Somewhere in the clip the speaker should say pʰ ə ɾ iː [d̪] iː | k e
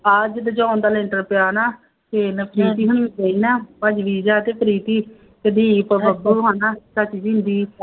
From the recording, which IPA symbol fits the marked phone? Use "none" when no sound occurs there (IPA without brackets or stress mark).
t̪